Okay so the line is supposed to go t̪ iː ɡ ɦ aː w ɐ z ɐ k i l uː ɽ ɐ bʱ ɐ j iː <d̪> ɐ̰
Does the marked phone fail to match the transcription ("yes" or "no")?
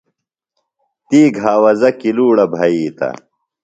yes